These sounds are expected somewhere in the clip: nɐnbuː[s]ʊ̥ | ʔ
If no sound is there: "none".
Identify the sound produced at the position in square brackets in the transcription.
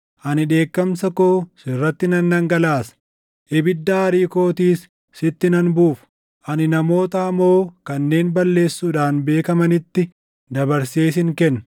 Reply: f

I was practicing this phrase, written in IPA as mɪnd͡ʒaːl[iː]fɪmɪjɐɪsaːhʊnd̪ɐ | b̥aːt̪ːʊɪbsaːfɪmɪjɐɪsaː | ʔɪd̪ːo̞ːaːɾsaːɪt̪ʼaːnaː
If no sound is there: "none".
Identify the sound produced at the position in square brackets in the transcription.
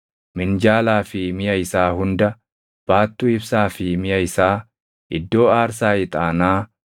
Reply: aː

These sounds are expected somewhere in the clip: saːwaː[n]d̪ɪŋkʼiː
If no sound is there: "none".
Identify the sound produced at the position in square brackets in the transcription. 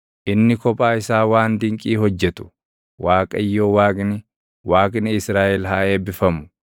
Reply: n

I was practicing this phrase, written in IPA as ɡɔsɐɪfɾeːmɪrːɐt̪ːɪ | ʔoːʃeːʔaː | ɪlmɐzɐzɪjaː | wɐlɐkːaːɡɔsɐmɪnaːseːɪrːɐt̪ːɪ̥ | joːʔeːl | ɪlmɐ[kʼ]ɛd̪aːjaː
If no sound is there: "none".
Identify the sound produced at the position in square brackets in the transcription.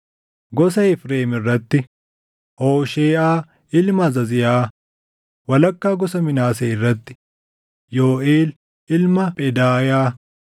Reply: pʼ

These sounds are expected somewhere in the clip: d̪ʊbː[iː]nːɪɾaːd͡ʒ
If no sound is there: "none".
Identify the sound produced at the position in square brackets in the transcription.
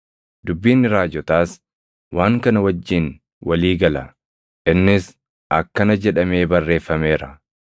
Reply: iː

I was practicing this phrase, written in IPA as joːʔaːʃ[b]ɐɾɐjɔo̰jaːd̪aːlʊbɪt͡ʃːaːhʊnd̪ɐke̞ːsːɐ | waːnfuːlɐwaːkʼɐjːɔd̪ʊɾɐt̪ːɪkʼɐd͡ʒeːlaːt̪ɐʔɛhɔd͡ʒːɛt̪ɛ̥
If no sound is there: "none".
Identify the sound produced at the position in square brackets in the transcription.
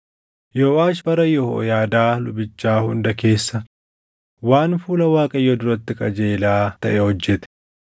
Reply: b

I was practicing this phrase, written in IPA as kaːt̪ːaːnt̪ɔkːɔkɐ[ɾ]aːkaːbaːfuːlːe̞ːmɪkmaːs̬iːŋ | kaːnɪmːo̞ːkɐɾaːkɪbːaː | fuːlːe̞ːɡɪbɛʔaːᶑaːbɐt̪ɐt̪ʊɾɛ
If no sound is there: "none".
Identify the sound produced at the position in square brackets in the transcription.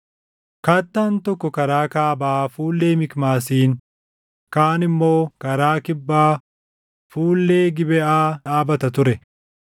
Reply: ɾ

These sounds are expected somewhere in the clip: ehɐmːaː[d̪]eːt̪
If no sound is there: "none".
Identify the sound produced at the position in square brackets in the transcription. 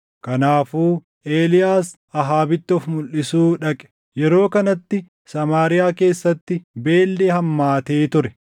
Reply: t̪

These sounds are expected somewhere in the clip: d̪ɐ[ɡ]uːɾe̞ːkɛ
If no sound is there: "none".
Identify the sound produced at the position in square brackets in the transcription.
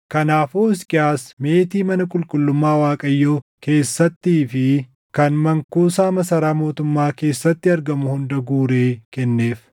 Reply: ɡ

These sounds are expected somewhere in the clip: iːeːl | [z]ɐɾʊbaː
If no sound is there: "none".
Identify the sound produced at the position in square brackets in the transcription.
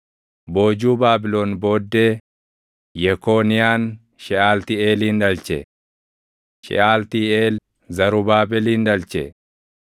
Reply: z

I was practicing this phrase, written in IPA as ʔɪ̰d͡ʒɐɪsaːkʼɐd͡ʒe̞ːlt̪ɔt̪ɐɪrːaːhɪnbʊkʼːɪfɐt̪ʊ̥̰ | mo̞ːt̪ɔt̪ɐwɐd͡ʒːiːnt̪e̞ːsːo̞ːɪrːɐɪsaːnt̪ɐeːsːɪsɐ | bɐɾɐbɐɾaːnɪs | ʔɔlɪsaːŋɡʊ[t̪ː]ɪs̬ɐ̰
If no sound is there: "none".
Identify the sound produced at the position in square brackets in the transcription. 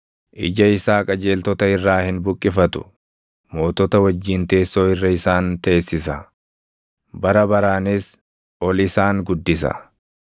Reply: d̪ː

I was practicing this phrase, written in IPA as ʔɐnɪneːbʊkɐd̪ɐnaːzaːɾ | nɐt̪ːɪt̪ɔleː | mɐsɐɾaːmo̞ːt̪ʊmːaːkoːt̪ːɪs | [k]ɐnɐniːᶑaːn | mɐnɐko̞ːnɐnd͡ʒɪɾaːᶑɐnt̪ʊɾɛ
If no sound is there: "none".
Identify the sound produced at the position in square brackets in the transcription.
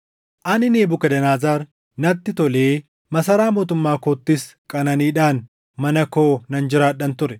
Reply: kʼ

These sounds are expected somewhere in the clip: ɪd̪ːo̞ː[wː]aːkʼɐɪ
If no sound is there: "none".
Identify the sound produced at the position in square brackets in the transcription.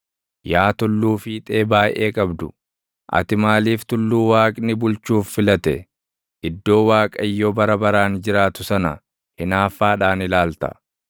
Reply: w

